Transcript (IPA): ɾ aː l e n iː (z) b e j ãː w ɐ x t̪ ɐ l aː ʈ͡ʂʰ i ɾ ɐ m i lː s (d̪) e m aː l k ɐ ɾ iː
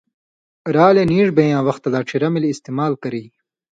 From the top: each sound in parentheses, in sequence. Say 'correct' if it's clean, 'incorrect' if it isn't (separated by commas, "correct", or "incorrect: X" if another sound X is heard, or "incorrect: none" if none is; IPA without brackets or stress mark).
incorrect: ʐ, incorrect: t̪